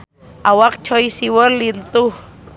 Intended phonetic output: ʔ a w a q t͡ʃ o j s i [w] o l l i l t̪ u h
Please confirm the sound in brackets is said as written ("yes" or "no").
yes